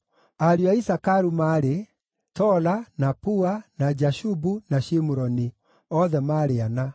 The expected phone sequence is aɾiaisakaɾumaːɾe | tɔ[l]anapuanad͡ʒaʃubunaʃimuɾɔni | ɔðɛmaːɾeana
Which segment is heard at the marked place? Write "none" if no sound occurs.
l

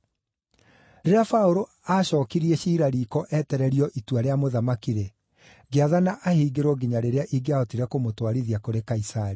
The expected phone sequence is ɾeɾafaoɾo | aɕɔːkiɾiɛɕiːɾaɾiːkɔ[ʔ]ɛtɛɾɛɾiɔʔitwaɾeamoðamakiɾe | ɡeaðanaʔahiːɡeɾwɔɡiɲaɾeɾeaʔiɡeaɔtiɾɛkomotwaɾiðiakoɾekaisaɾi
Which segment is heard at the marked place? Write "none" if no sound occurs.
ʔ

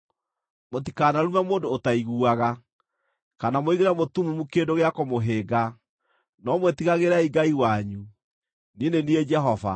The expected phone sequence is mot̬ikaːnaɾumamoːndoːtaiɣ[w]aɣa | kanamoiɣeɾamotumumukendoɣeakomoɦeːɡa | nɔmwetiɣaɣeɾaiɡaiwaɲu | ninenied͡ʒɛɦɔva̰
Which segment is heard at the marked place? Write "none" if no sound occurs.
u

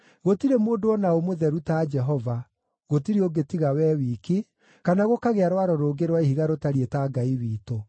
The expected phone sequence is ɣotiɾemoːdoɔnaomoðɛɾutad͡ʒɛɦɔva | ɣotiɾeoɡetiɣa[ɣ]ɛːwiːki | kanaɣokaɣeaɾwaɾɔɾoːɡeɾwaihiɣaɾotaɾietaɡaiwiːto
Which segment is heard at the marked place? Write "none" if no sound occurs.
w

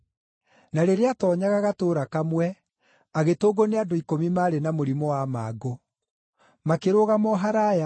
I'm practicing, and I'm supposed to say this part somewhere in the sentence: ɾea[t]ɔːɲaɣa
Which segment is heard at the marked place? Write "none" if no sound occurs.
t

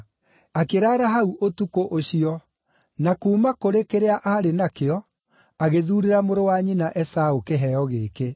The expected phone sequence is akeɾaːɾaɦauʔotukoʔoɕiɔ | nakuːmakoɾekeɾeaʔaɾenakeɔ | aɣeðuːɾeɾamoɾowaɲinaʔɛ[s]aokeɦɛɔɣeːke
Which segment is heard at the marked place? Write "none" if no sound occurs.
s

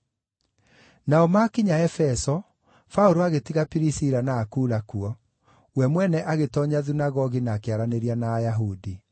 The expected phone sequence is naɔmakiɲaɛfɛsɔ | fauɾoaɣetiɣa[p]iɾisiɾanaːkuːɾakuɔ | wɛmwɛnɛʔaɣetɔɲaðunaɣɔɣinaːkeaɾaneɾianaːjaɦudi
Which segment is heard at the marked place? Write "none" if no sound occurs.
p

